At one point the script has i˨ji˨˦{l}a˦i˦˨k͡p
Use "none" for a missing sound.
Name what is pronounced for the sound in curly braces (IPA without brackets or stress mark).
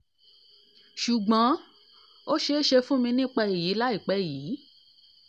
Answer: l